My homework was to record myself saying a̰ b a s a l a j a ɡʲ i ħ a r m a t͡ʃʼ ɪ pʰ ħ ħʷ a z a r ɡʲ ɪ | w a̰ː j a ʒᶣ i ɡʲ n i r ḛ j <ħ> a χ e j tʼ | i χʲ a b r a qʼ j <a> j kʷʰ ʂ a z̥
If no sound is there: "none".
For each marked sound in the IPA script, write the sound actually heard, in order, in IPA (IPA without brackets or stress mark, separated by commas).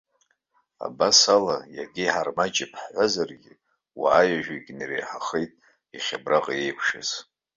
ħ, e